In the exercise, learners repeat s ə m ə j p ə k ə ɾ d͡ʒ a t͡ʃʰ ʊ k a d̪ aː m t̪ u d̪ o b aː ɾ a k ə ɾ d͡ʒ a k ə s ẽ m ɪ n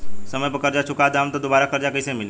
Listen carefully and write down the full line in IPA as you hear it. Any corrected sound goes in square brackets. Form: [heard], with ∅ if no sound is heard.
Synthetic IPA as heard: s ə m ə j p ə k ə ɾ d͡ʒ a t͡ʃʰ ʊ k a d̪ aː m t̪ [o] d̪ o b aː ɾ a k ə ɾ d͡ʒ a k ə s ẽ m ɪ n